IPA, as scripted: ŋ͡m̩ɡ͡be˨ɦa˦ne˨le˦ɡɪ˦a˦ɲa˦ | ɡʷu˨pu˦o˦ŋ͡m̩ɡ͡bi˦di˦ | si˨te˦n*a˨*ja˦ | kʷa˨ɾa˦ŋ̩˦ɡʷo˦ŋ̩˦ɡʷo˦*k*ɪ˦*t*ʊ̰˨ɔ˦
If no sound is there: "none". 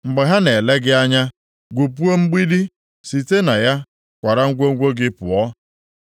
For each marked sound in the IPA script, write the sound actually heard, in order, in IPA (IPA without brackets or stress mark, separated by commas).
a˨, ɡ, p